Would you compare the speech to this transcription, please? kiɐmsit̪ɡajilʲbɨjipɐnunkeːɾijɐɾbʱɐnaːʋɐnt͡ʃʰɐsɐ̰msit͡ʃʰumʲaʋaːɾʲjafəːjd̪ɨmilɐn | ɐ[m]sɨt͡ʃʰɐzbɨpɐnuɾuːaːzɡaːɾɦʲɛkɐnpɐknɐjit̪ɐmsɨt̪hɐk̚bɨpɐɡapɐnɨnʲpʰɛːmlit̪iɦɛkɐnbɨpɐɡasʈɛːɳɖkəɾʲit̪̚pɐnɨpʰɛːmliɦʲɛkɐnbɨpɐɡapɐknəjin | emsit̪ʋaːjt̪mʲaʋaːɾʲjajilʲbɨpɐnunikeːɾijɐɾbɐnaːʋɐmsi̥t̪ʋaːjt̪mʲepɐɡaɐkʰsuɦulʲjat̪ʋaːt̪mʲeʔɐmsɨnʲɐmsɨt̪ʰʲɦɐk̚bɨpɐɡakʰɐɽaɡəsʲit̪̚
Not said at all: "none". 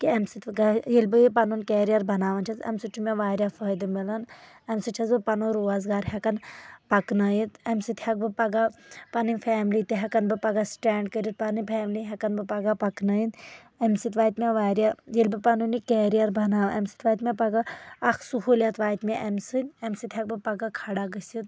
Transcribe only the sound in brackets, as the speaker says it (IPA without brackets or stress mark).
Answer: m